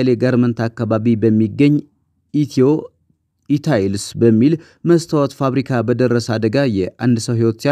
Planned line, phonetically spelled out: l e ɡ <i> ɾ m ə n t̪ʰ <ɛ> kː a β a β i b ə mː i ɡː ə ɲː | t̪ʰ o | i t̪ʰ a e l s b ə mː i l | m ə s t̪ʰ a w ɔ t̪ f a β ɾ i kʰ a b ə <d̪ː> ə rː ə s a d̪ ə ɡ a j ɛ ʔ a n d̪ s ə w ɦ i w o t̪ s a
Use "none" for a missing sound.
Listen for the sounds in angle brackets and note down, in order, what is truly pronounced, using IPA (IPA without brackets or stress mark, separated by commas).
a, a, d̪